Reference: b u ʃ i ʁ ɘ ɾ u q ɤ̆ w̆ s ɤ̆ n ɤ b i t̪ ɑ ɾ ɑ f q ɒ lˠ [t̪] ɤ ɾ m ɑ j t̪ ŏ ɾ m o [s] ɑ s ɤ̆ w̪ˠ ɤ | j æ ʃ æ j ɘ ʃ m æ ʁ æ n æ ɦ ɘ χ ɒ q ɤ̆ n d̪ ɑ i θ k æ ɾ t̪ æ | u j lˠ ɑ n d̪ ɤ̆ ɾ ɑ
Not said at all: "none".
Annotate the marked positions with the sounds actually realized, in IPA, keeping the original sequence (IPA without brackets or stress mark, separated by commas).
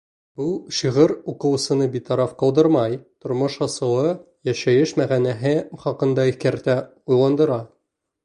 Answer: d̪, ʃ